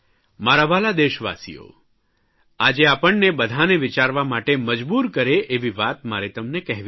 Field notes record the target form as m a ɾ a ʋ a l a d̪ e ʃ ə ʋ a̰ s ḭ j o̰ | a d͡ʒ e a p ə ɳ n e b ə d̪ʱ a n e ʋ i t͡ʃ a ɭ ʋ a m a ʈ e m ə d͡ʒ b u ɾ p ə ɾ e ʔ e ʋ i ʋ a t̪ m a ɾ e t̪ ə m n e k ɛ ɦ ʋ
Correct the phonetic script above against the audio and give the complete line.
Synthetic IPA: m a ɾ a ʋ a l a d̪ e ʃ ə ʋ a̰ s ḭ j o̰ | a d͡ʒ e a p ə ɳ n e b ə d̪ʱ a n e ʋ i t͡ʃ a ɾ ʋ a m a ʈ e m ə d͡ʒ b u ɾ k ə ɾ e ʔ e ʋ i ʋ a t̪ m a ɾ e t̪ ə m n e k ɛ ɦ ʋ